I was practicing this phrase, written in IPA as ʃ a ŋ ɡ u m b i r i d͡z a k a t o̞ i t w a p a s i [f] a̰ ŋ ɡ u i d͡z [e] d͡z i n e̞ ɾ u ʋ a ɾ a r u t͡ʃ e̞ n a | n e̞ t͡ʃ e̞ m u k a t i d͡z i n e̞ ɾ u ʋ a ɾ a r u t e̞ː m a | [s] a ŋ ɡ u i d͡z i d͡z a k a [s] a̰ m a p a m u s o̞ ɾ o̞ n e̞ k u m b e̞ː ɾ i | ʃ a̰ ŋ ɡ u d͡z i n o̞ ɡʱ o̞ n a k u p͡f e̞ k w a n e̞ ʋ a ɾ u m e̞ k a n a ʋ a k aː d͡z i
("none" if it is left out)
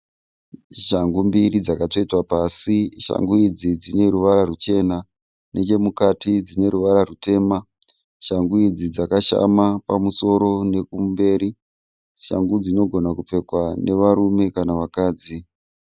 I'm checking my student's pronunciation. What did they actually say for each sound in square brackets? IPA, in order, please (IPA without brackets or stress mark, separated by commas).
ʃ, i, ʃ, ʃ